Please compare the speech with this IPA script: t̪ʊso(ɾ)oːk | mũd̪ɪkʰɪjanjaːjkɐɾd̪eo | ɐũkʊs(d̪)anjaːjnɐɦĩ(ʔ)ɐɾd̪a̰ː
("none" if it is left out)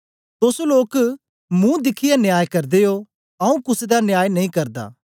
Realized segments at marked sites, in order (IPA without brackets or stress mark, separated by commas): l, d̪, k